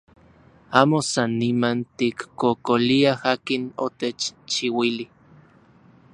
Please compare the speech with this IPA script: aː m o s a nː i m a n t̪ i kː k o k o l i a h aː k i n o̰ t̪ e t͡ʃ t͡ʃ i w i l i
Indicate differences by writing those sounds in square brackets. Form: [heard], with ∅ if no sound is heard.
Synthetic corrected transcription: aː m o s a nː i m a n t̪ i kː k o k o l i a h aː k i n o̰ t̪ e t͡ʃ t͡ʃ i w i l i